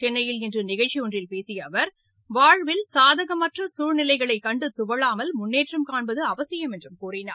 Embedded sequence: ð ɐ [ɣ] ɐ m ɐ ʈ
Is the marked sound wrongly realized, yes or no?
no